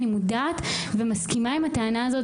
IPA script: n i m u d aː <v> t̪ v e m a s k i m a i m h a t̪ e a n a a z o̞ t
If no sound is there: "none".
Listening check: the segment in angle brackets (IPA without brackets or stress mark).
none